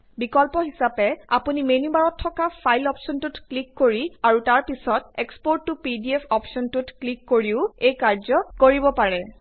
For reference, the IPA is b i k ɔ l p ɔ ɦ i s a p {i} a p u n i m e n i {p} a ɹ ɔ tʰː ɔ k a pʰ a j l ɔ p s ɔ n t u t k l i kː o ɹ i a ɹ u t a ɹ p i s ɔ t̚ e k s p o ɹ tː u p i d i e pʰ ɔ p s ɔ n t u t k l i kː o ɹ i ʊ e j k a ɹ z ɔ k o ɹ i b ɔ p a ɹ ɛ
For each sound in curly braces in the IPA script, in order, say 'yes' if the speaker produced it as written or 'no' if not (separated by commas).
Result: no, no